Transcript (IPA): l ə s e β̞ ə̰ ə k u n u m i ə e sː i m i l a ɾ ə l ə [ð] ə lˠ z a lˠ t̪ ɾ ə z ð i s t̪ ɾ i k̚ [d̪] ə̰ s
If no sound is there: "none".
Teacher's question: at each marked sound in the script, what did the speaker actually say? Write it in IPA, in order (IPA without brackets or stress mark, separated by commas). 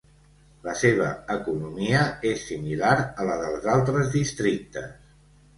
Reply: ð, t̪